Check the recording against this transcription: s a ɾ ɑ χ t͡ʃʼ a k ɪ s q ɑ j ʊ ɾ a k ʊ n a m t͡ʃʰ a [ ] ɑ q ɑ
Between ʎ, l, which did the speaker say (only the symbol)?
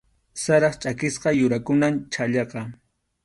ʎ